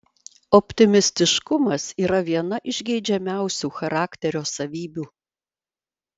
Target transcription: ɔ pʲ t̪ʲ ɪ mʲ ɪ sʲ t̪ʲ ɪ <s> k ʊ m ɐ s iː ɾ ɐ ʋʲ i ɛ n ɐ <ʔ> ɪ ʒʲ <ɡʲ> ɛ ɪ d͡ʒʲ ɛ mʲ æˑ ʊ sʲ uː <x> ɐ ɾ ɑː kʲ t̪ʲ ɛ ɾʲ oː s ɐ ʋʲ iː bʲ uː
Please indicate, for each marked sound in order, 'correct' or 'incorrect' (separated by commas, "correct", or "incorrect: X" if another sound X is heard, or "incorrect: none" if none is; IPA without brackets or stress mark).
incorrect: ʃ, correct, correct, correct